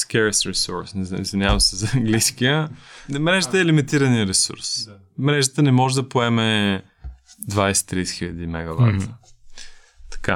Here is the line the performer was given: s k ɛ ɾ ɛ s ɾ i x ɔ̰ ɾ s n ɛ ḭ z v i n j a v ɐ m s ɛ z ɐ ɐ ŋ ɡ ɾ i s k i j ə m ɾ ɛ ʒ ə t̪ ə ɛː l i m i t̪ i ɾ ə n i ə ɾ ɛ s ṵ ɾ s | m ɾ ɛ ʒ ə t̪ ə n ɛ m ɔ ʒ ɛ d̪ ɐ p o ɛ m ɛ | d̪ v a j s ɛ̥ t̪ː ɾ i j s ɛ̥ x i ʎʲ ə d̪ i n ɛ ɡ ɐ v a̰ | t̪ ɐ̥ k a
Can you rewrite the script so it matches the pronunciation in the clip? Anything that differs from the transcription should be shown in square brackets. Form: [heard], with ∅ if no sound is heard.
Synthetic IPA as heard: s k ɛ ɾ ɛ s ɾ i [s] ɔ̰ ɾ s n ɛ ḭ z v i n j a v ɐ m s ɛ z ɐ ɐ ŋ ɡ [l] i s k i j ə m ɾ ɛ ʒ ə t̪ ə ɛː l i m i t̪ i ɾ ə n i ə ɾ ɛ s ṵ ɾ s | m ɾ ɛ ʒ ə t̪ ə n ɛ m ɔ ʒ ɛ d̪ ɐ p o ɛ m ɛ | d̪ v a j s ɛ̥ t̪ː ɾ i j s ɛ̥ x i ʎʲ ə d̪ i [m] ɛ ɡ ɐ v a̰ | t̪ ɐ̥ k a